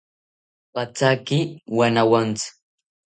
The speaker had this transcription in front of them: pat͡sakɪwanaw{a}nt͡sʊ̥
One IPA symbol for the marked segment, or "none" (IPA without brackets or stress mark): a